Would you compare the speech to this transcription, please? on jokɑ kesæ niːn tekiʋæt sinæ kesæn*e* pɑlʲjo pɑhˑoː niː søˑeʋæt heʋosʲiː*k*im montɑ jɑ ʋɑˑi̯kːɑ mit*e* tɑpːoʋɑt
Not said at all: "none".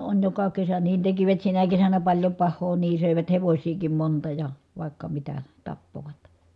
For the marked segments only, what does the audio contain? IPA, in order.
æ, k, æ

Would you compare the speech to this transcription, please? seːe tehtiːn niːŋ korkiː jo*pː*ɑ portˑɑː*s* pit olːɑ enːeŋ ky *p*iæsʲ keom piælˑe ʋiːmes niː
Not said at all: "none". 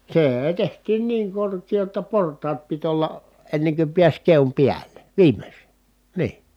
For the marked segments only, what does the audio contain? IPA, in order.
tː, t, p

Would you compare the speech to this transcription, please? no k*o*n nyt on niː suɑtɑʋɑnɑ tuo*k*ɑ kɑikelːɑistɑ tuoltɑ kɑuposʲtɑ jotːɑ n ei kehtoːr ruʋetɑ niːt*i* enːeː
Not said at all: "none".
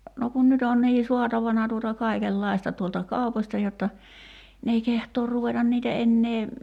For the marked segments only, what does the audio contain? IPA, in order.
u, t, æ

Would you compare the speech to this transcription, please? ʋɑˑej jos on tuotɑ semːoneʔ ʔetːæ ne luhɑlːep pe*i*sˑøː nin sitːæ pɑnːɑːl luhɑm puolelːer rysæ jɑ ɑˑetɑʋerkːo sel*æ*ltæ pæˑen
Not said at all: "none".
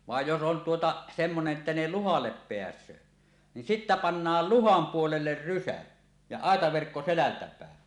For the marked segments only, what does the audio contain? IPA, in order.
æ, æ

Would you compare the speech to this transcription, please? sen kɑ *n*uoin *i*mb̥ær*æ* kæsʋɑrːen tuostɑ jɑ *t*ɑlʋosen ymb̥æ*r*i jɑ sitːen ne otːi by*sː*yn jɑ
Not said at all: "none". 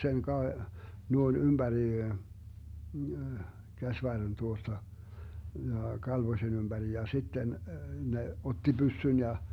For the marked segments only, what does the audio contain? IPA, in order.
n, y, i, k, r, sː

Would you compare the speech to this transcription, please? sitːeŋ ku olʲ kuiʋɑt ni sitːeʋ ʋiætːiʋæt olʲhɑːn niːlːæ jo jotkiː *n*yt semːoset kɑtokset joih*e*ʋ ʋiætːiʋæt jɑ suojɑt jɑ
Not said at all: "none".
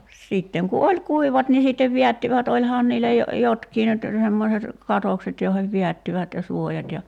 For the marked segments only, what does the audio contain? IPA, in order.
n, e

